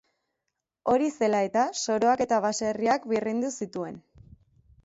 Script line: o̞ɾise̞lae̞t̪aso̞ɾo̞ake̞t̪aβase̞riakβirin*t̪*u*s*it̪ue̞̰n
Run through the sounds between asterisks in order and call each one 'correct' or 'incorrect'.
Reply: incorrect, correct

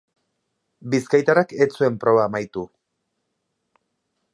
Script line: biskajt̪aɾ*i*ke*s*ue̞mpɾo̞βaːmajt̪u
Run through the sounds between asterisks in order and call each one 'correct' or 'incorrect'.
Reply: incorrect, incorrect

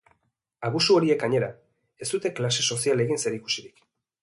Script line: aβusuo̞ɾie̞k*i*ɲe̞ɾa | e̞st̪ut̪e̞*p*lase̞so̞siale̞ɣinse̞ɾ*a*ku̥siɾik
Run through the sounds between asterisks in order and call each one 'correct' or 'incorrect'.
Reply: incorrect, incorrect, incorrect

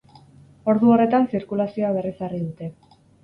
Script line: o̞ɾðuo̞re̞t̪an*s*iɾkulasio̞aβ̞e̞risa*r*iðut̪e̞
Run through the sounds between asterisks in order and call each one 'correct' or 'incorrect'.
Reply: correct, correct

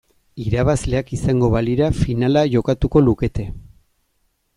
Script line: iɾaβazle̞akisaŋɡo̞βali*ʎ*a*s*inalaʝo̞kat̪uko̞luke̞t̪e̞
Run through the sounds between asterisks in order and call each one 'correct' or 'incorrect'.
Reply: incorrect, incorrect

